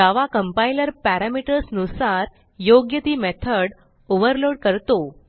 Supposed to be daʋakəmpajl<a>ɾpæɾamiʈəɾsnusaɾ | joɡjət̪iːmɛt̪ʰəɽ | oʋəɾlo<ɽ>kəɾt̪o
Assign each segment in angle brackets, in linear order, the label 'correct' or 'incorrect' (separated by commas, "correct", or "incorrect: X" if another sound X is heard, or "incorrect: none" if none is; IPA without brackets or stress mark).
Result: incorrect: ə, correct